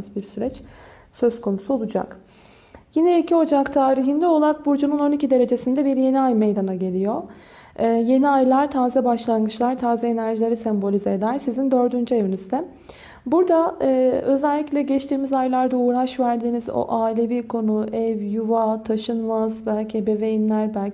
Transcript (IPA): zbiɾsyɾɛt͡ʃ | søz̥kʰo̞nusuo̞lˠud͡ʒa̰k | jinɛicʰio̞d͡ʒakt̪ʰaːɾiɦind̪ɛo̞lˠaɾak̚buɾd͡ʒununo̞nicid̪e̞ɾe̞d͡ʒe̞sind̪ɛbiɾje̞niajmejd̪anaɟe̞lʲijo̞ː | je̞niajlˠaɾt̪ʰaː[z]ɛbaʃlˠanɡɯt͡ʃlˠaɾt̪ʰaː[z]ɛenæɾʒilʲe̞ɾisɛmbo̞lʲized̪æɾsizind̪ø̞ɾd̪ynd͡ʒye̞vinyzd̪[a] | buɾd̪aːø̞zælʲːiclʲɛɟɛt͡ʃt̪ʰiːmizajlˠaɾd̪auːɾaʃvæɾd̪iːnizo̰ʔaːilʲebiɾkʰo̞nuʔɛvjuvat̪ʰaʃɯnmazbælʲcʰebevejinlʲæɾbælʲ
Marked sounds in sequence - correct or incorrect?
correct, correct, incorrect

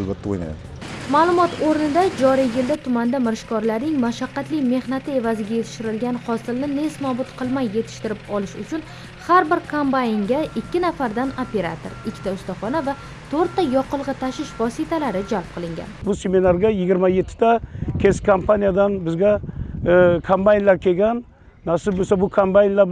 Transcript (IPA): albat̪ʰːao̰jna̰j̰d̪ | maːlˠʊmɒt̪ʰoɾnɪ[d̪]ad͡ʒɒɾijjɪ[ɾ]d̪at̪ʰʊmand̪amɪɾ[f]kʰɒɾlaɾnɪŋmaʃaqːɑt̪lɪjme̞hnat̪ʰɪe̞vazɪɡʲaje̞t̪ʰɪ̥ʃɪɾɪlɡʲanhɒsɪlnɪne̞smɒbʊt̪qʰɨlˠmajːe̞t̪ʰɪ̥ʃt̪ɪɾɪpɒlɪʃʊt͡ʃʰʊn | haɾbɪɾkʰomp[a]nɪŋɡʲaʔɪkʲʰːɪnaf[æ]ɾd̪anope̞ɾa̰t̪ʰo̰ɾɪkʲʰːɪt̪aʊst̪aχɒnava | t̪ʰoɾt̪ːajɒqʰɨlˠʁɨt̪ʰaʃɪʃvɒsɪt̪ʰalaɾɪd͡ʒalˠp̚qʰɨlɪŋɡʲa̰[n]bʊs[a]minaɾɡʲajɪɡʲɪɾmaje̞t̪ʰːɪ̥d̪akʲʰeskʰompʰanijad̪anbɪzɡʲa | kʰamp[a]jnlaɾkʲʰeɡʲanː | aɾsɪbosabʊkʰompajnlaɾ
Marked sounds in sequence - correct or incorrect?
correct, incorrect, incorrect, correct, incorrect, correct, incorrect, correct

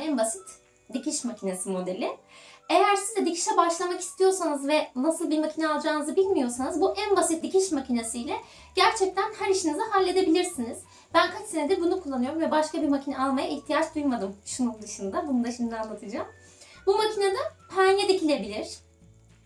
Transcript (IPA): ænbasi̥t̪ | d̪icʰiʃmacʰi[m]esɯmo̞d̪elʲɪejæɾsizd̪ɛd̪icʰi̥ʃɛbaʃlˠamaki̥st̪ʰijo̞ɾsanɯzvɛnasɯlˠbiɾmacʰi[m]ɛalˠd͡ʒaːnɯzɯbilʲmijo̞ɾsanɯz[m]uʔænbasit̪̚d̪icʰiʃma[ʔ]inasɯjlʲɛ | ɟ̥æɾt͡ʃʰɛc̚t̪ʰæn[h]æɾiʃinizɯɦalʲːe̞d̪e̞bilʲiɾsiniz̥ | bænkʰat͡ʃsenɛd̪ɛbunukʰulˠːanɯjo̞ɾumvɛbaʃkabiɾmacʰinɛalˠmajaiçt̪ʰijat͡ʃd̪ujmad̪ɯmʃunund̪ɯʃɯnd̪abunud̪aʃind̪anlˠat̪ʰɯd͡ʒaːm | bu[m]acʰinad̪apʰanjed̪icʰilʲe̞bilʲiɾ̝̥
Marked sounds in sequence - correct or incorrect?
incorrect, incorrect, incorrect, incorrect, correct, correct

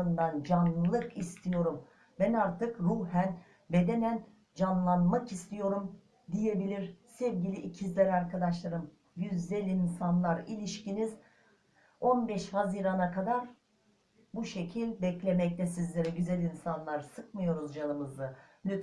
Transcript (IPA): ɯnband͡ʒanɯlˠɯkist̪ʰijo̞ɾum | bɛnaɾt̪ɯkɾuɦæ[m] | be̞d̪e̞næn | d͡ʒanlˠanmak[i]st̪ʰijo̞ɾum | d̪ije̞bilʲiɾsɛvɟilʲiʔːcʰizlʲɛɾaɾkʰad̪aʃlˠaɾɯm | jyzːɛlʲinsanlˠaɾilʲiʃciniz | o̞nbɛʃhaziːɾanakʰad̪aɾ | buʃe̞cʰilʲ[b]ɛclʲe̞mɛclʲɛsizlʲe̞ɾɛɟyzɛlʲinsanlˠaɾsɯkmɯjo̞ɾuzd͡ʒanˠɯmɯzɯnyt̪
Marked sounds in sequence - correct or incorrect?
incorrect, correct, correct

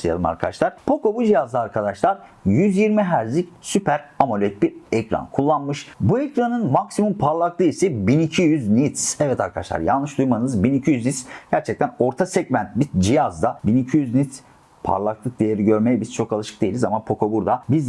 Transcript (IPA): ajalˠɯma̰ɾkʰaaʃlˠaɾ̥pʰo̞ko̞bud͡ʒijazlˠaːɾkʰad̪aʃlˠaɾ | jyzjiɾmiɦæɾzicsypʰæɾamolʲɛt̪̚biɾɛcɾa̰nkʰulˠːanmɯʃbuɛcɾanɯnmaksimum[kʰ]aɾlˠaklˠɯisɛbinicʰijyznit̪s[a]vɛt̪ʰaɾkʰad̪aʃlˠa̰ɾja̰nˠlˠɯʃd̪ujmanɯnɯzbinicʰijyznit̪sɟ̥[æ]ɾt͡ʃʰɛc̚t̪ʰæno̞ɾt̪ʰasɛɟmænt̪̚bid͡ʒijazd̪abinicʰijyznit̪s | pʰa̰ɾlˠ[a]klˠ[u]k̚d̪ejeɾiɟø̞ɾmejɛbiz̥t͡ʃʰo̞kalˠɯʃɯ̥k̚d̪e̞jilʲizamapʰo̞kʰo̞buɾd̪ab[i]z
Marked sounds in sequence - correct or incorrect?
incorrect, incorrect, correct, correct, incorrect, correct

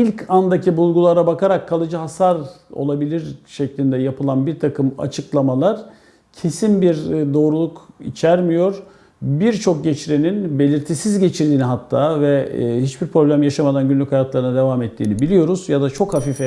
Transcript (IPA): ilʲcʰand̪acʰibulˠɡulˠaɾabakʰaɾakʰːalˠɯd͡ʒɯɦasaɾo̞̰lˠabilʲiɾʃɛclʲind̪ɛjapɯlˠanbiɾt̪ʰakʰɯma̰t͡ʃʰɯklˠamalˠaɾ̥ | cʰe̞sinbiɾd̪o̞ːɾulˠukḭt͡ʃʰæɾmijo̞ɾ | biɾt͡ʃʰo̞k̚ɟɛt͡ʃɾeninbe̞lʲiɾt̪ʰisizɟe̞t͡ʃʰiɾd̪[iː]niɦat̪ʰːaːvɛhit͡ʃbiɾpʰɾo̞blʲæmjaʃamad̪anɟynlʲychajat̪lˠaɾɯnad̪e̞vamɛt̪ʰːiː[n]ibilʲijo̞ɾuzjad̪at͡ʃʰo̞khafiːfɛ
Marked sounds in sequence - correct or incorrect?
correct, correct

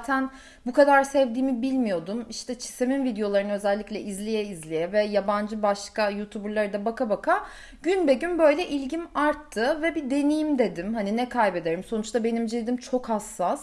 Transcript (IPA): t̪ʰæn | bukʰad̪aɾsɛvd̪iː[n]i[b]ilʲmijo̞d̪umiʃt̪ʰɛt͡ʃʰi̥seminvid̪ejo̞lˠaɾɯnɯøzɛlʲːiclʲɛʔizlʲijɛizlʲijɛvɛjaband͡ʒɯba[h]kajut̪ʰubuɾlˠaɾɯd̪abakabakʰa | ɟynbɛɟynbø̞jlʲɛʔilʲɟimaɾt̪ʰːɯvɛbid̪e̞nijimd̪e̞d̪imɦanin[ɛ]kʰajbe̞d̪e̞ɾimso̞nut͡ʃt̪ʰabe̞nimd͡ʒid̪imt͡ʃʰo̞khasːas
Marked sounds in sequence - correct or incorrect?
incorrect, correct, incorrect, correct

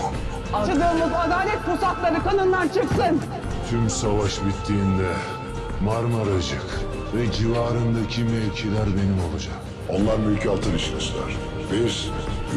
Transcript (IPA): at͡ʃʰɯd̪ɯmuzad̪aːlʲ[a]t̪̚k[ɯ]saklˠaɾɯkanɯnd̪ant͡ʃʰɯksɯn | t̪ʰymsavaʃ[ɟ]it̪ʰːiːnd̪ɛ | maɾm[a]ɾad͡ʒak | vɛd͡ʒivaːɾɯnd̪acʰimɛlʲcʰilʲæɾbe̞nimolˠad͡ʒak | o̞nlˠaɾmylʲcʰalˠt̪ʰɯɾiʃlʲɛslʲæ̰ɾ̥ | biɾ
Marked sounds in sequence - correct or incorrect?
incorrect, incorrect, incorrect, correct

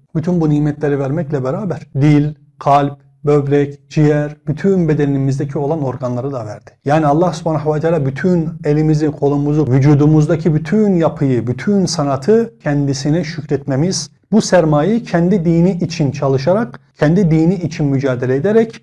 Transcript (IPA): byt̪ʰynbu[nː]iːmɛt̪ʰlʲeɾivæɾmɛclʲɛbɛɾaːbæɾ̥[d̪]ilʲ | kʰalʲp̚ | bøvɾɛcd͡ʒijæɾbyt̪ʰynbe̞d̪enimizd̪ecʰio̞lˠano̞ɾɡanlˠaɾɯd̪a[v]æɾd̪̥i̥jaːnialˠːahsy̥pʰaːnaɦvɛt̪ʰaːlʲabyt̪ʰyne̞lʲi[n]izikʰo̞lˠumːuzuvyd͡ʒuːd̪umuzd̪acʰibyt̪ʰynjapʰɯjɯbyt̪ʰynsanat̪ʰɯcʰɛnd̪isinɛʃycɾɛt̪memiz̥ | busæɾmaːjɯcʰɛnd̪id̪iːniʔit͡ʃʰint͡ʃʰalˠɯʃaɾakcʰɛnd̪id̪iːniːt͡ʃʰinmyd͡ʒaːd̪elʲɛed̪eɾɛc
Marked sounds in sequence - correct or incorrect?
incorrect, correct, correct, incorrect

